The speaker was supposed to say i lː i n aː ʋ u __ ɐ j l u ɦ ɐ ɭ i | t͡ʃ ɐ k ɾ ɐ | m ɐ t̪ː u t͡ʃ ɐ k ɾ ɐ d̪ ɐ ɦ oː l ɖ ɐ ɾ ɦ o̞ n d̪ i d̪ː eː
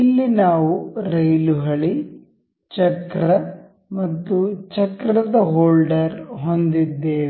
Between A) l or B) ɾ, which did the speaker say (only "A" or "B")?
B